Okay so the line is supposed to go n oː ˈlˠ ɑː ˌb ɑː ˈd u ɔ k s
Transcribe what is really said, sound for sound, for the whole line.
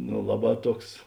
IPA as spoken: n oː ˈlˠ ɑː ˌb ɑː ˈt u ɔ k s